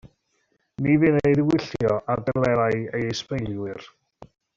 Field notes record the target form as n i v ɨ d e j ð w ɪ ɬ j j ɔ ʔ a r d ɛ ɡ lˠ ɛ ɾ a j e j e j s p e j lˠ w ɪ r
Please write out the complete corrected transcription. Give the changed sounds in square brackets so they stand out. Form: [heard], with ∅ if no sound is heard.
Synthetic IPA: n i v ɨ [n] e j ð w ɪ ɬ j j ɔ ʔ a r d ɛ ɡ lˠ ɛ ɾ a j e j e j s p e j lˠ w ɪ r